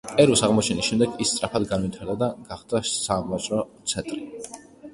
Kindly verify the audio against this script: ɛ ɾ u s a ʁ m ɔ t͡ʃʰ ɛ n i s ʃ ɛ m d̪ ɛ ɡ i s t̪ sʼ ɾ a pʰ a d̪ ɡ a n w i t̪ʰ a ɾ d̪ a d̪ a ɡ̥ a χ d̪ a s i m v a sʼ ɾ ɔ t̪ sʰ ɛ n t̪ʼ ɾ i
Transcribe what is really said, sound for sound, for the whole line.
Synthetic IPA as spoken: ɛ ɾ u s a ʁ m ɔ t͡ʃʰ ɛ n i s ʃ ɛ m d̪ ɛ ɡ i s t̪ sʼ ɾ a pʰ a d̪ ɡ a n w i t̪ʰ a ɾ d̪ a d̪ a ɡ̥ a χ d̪ a s a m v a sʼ ɾ ɔ t̪ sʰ ɛ n t̪ʼ ɾ i

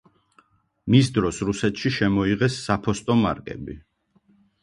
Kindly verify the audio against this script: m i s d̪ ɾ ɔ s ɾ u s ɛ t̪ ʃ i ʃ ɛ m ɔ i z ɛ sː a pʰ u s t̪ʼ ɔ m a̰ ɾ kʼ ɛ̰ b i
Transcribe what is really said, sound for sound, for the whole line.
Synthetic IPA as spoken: m i s d̪ ɾ ɔ s ɾ u s ɛ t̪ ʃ i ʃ ɛ m ɔ i ʁ ɛ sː a pʰ ɔ s t̪ʼ ɔ m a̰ ɾ kʼ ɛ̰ b i

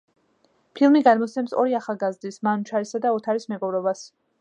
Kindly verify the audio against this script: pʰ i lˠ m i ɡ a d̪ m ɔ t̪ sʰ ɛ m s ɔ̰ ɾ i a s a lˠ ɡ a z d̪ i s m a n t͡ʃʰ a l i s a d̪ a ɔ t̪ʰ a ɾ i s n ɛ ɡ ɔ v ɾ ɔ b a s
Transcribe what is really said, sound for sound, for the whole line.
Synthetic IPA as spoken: pʰ i lˠ m i ɡ a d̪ m ɔ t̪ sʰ ɛ m s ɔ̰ ɾ i a χ a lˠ ɡ a z d̪ i s m a n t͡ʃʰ a ɾ i s a d̪ a ɔ t̪ʰ a ɾ i s m ɛ ɡ ɔ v ɾ ɔ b a s

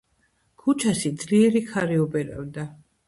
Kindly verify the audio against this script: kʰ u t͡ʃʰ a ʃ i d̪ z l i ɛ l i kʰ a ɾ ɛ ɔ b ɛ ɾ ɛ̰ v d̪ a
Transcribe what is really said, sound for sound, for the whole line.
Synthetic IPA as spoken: kʰ u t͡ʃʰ a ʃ i d̪ z l i ɛ ɾ i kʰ a ɾ i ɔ b ɛ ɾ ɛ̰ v d̪ a

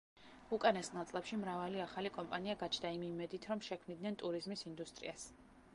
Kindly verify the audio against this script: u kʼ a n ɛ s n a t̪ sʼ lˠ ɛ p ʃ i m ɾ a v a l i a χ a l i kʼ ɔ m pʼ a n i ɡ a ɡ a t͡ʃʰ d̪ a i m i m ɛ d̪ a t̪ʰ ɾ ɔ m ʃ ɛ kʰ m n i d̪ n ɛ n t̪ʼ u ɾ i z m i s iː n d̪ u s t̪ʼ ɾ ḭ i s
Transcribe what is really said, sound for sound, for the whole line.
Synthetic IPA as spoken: u kʼ a n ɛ s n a t̪ sʼ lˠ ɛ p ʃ i m ɾ a v a l i a χ a l i kʼ ɔ m pʼ a n i a ɡ a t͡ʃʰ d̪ a i m i m ɛ d̪ i t̪ʰ ɾ ɔ m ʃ ɛ kʰ m n i d̪ n ɛ n t̪ʼ u ɾ i z m i s i n d̪ u s t̪ʼ ɾ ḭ a s

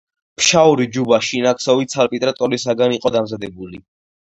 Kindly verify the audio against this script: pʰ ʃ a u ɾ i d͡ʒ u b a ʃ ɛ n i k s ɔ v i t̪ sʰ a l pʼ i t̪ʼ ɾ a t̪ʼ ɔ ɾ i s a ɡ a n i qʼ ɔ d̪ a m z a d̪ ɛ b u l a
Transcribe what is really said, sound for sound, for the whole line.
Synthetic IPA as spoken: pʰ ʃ a u ɾ i d͡ʒ u b a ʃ i n a k s ɔ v i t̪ sʰ a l pʼ i t̪ʼ ɾ a t̪ʼ ɔ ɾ i s a ɡ a n i qʼ ɔ d̪ a m z a d̪ ɛ b u l i

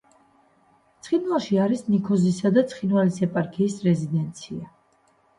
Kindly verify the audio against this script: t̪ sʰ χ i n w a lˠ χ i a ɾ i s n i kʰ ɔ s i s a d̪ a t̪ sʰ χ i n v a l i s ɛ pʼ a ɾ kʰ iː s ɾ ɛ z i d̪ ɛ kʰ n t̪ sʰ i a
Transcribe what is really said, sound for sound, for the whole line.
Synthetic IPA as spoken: t̪ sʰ χ i n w a lˠ ʃ i a ɾ i s n i kʰ ɔ z i s a d̪ a t̪ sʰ χ i n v a l i s ɛ pʼ a ɾ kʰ iː s ɾ ɛ z i d̪ ɛ n t̪ sʰ i a

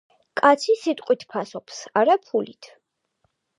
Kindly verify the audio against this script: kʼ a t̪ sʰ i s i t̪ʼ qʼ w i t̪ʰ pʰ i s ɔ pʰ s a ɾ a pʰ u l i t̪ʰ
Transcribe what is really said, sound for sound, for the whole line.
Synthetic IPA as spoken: kʼ a t̪ sʰ i s i t̪ʼ qʼ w i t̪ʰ pʰ a s ɔ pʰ s a ɾ a pʰ u l i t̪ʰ

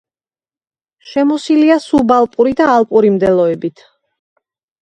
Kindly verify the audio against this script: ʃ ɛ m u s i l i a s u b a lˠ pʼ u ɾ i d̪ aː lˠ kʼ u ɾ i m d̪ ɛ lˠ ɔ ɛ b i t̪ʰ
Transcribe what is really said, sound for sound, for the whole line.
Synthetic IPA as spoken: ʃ ɛ m ɔ s i l i a s u b a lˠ pʼ u ɾ i d̪ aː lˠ pʼ u ɾ i m d̪ ɛ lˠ ɔ ɛ b i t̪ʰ

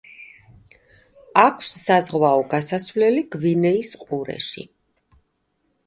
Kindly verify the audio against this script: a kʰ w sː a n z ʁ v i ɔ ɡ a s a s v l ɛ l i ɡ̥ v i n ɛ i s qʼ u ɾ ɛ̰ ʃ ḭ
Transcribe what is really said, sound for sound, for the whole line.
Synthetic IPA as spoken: a kʰ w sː a z ʁ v a ɔ ɡ a s a s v l ɛ l i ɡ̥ v i n ɛ i s qʼ u ɾ ɛ̰ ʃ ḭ

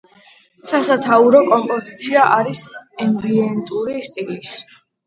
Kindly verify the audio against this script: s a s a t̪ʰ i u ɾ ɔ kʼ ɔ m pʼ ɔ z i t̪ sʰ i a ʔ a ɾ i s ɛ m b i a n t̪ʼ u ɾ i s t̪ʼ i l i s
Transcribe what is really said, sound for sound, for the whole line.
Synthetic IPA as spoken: s a s a t̪ʰ a u ɾ ɔ kʼ ɔ m pʼ ɔ z i t̪ sʰ i a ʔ a ɾ i s ɛ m b i ɛ n t̪ʼ u ɾ i s t̪ʼ i l i s

